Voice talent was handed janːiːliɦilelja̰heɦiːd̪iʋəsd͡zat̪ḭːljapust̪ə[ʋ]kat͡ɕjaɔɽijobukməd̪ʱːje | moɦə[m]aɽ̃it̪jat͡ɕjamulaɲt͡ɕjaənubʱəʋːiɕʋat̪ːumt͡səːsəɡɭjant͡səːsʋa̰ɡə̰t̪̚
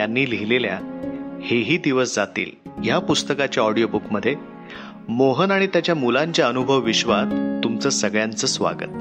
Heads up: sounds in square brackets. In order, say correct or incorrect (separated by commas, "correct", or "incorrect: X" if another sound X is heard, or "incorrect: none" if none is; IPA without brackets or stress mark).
incorrect: none, incorrect: n